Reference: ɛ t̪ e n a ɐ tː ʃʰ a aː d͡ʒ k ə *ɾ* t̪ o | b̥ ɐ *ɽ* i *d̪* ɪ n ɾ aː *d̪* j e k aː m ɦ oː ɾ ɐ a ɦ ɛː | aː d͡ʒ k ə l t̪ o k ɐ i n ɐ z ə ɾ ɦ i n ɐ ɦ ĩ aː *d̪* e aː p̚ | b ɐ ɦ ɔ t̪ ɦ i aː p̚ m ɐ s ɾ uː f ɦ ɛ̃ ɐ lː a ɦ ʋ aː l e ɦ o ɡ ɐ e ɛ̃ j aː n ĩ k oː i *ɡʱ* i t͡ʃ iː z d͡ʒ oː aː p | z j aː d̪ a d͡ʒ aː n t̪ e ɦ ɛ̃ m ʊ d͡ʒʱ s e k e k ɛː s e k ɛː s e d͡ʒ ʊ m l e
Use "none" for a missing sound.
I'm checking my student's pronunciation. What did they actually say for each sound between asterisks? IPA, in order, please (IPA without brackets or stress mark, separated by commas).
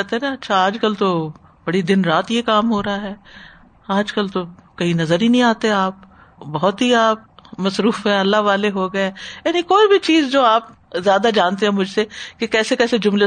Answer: l, ɽ, d̪, t̪, t̪, bʱ